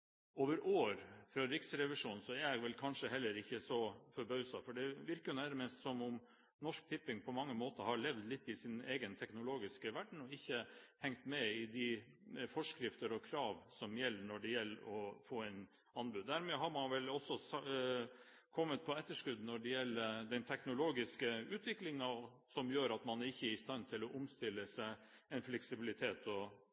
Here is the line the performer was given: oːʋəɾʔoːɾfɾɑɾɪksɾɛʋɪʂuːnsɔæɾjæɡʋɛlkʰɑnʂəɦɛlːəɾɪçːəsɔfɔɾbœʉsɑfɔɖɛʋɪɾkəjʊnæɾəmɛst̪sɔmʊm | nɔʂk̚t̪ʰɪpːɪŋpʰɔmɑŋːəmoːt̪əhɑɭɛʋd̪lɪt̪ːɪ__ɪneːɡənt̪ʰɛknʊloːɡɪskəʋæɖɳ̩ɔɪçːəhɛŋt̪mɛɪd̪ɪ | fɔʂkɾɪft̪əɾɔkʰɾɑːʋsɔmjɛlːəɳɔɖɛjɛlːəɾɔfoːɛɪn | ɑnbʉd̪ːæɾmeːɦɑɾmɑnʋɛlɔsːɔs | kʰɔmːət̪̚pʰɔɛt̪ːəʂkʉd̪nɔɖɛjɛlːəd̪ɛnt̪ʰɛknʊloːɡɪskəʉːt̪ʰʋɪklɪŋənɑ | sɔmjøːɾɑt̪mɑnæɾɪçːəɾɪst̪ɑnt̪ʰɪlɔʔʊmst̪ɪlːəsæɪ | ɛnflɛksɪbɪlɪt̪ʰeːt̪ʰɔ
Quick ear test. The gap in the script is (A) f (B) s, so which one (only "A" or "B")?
B